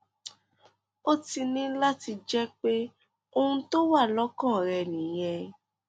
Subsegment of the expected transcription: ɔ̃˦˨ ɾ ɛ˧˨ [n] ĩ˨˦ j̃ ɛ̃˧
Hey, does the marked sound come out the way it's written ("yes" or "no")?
yes